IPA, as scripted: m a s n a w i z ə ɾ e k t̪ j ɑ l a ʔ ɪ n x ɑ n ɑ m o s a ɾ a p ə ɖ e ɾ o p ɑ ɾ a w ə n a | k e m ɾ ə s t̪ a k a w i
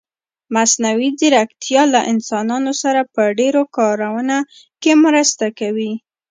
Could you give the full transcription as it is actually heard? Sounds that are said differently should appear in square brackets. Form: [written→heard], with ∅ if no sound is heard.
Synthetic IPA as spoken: m a s n a w i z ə ɾ [e→a] k t̪ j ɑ l a ʔ ɪ n [x→s] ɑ n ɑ [m→n] o s a ɾ a p ə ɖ e ɾ o [p→k] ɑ ɾ a w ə n a | k e m ɾ ə s t̪ a k a w i